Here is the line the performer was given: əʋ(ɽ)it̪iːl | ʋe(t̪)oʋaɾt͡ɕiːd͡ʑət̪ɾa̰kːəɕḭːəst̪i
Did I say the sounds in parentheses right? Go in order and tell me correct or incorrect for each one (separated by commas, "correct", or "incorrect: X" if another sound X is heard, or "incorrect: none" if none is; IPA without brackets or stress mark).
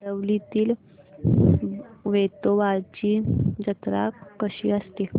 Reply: incorrect: l, correct